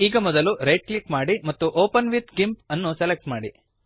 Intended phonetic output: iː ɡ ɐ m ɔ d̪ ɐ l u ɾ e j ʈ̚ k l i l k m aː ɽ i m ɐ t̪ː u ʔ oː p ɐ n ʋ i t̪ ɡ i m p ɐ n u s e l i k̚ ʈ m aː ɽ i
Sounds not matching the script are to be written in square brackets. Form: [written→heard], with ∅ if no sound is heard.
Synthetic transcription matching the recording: iː ɡ ɐ m ɔ d̪ ɐ l u ɾ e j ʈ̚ k l i [l→∅] k m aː ɽ i m ɐ t̪ː u ʔ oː p ɐ n ʋ i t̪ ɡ i m p ɐ [n→nː] u s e l [i→e] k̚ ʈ m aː ɽ i